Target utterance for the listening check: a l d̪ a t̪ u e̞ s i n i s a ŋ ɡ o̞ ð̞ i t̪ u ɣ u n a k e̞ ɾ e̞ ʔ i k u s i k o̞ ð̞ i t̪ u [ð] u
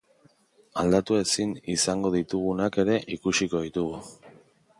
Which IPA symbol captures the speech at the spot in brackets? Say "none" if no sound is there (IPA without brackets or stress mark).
ɣ